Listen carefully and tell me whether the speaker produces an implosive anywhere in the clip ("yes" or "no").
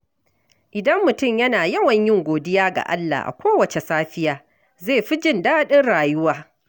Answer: yes